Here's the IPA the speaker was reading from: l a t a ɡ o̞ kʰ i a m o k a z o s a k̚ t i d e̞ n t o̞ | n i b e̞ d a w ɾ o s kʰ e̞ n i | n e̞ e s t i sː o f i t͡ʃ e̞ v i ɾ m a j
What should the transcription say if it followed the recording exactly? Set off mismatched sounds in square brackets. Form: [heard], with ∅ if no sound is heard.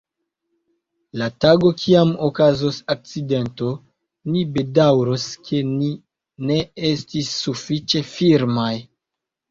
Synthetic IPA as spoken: l a t a ɡ o̞ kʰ i a m o k a z o s a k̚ [t͡s] i d e̞ n t o̞ | n i b e̞ d a w ɾ o s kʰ e̞ n i | n e̞ e s t i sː [u] f i t͡ʃ e̞ [f] i ɾ m a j